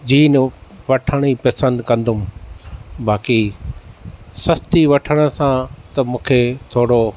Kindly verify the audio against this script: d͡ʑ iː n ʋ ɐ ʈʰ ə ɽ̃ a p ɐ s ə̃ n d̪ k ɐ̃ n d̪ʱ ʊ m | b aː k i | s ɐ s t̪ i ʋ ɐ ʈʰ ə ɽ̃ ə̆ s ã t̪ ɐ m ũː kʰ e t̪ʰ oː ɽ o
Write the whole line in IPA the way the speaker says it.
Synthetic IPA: d͡ʑ iː n ʋ ɐ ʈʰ ə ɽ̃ i p ɐ s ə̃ n d̪ k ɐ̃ n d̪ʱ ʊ m | b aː k i | s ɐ s t̪ i ʋ ɐ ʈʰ ə ɽ̃ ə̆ s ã t̪ ɐ m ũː kʰ e t̪ʰ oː ɽ o